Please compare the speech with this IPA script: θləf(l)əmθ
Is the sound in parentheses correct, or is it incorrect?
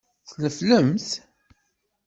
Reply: correct